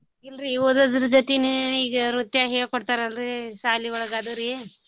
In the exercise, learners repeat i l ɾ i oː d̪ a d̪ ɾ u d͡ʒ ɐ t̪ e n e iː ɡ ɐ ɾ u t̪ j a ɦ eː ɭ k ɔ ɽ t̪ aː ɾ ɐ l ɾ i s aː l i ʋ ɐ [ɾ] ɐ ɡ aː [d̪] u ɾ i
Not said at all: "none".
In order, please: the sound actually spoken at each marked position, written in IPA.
ɭ, d̪

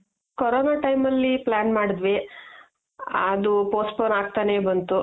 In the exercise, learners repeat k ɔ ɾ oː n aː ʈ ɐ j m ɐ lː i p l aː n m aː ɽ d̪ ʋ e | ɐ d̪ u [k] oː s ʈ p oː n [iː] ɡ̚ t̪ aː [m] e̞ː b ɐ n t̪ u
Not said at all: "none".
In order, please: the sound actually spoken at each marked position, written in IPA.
p, aː, n

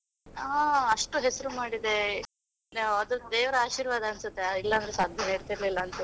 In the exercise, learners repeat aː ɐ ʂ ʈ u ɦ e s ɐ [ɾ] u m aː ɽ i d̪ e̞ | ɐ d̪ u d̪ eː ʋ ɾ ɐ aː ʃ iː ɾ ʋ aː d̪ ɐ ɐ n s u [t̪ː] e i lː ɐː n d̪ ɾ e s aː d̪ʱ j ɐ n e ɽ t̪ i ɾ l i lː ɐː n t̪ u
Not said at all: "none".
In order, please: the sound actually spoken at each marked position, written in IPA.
ɾ, t̪ː

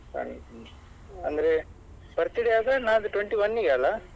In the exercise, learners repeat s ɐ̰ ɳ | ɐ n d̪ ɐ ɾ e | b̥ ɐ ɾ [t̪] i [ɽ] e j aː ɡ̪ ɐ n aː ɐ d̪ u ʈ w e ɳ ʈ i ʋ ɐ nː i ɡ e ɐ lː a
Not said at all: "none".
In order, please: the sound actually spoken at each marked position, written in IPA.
t̪, ɽ

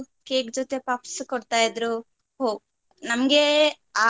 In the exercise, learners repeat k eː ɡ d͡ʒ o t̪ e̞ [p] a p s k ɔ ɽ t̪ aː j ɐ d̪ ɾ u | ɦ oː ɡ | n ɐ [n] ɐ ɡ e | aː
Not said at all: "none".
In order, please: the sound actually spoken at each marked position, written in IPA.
p, m

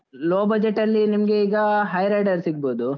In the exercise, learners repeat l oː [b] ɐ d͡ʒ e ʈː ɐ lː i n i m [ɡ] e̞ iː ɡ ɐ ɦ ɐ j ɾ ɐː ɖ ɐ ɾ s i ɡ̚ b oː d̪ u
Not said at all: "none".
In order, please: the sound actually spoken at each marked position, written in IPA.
b, ɡ

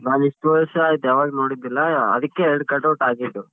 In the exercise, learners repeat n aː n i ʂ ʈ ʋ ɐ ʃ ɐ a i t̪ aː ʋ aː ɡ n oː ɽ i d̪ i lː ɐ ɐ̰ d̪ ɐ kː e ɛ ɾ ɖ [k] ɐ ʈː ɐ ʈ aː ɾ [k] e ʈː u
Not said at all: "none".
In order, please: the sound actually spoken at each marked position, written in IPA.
k, ɡ

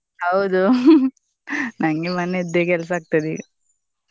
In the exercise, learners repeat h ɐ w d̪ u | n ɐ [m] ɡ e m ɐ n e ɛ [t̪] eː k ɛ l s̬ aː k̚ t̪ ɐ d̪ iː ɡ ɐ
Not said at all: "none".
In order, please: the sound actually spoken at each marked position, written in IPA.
ŋ, d̪

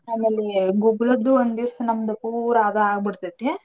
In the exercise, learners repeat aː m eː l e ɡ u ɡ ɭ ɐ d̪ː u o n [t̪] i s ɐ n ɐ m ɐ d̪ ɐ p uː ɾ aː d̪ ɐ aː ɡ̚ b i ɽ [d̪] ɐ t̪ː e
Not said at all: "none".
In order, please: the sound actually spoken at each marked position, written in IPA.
d̪, t̪

